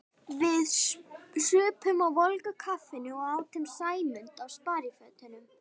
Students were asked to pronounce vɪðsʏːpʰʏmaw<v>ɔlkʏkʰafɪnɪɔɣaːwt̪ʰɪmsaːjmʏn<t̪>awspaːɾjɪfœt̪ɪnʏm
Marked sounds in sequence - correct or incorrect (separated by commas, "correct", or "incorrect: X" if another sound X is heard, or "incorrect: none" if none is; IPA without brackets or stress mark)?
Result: correct, correct